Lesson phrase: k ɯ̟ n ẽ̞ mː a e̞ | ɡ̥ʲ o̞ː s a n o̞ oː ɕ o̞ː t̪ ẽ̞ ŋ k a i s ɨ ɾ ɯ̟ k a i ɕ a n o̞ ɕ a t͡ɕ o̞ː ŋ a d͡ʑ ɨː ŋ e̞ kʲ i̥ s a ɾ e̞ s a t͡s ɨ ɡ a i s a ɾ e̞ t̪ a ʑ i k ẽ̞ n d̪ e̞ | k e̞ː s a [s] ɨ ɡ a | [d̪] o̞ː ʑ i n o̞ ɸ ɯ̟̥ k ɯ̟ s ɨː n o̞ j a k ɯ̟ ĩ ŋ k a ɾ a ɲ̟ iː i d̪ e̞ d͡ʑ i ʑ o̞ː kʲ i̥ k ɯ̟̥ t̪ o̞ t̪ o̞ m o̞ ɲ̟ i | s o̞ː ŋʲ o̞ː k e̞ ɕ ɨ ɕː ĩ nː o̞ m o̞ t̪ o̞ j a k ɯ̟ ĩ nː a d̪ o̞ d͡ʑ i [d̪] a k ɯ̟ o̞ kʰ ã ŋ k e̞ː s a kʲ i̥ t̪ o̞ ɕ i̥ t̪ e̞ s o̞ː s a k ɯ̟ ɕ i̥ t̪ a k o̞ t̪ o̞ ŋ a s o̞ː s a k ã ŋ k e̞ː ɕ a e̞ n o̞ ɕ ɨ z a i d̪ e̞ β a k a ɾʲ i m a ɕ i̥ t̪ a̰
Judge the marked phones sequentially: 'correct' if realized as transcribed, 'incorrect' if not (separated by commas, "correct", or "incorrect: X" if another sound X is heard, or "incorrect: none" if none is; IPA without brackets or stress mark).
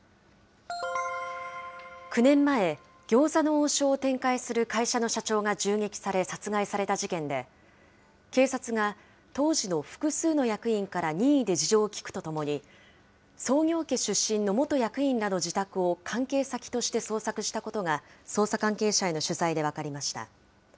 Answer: incorrect: t͡s, incorrect: t̪, incorrect: t̪